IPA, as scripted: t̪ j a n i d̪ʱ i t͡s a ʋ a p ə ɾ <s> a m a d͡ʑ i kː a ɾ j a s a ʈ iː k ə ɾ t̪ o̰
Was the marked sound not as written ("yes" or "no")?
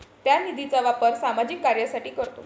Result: no